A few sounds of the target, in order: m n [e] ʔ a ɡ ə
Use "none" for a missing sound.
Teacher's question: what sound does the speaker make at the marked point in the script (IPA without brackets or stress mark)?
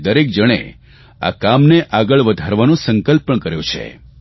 e